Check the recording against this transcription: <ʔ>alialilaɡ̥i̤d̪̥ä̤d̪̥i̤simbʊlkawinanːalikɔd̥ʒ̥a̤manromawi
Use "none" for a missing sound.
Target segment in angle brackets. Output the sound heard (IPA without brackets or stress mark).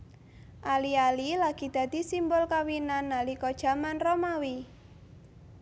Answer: ʔ